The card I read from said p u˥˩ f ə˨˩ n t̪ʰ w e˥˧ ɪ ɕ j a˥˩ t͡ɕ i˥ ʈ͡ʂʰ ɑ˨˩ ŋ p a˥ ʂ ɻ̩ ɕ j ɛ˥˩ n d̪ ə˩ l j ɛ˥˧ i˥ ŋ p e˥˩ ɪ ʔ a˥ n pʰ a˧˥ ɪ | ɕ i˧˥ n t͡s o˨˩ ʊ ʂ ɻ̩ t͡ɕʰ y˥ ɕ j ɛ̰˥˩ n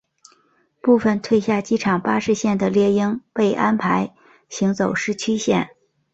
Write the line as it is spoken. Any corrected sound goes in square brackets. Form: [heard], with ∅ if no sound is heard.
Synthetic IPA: p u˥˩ f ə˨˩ n t̪ʰ w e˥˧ ɪ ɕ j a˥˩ t͡ɕ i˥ ʈ͡ʂʰ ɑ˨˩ ŋ p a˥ ʂ ɻ̩ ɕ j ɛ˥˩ n d̪ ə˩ l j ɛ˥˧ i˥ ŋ p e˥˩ ɪ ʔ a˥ n pʰ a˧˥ ɪ | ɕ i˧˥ [ŋ] t͡s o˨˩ ʊ ʂ ɻ̩ t͡ɕʰ y˥ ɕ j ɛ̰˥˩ n